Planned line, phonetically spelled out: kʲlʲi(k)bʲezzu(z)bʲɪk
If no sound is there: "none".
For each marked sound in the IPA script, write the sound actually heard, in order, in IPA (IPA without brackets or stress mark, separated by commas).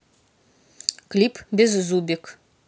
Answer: p, none